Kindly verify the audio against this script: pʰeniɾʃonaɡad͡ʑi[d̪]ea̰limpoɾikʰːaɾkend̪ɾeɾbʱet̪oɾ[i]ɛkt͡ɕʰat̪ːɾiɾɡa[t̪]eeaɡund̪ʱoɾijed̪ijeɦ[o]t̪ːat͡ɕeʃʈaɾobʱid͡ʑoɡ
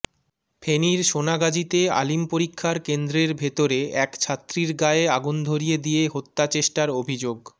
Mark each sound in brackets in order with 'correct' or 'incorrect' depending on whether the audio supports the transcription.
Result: incorrect: t̪, incorrect: e, incorrect: none, correct

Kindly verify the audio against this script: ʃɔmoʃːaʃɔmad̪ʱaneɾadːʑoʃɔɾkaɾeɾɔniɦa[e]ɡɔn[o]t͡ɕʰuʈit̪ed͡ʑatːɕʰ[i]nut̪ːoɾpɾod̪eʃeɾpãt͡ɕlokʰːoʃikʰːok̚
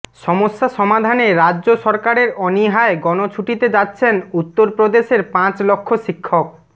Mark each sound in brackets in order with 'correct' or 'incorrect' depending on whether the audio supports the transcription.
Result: correct, correct, incorrect: e

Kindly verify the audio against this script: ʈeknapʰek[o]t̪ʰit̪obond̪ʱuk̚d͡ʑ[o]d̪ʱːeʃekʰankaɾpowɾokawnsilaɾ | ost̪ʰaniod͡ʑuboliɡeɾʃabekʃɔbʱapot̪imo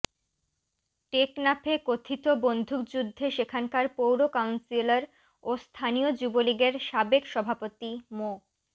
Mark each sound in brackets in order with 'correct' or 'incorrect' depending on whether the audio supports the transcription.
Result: correct, incorrect: u

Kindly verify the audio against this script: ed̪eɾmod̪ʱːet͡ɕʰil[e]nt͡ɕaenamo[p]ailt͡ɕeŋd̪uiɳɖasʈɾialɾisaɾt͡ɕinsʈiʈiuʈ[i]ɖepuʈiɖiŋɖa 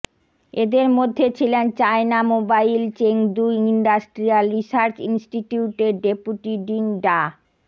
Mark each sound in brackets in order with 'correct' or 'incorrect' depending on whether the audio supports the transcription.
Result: correct, incorrect: b, incorrect: e

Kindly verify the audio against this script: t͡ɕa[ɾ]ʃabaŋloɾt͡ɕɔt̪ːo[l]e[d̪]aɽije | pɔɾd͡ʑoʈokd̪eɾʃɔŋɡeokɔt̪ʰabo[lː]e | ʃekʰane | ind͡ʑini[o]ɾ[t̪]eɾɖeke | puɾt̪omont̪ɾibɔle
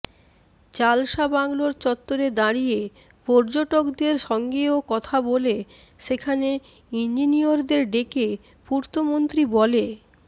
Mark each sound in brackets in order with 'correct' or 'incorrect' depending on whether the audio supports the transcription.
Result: incorrect: l, incorrect: ɾ, correct, incorrect: l, correct, incorrect: d̪

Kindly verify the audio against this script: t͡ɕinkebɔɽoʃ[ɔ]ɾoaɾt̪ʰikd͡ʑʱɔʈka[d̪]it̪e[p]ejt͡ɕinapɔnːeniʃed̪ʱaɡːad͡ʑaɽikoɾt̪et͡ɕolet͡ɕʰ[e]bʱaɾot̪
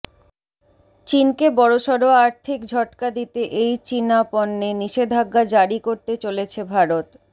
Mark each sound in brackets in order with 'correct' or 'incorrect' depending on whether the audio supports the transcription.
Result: correct, correct, incorrect: ʔ, correct

